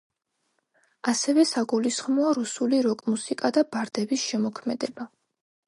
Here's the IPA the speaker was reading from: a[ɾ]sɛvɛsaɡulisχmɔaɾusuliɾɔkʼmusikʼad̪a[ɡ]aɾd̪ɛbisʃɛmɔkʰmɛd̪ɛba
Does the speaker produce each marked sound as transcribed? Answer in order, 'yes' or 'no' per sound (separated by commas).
no, no